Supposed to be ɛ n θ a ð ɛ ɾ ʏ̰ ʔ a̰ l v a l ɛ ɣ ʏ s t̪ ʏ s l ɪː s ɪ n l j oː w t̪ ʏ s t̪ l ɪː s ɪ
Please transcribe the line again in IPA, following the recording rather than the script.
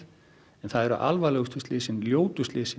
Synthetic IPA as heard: ɛ n θ a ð ɛ ɾ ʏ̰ ʔ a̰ l v a l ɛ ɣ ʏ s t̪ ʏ s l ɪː s ɪ n l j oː w t̪ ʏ s t̪ l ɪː s ɪ